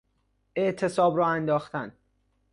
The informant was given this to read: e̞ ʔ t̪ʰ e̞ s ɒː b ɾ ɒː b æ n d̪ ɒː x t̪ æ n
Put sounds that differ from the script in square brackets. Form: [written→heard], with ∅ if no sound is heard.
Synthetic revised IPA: e̞ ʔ t̪ʰ e̞ s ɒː b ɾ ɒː [b→∅] æ n d̪ ɒː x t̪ æ n